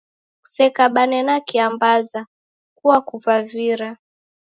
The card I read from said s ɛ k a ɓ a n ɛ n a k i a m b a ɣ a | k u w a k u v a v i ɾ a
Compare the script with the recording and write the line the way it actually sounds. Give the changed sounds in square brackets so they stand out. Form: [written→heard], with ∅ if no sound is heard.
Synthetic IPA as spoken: s ɛ k a ɓ a n ɛ n a k i a m b a [ɣ→z] a | k u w a k u v a v i ɾ a